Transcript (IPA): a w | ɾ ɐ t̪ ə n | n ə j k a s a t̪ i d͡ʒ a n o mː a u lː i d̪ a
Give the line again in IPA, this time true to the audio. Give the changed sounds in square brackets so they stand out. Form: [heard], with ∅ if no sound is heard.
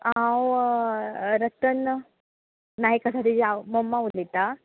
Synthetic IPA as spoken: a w | ɾ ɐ t̪ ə n | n [a] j k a s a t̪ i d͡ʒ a [m] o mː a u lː i [t̪] a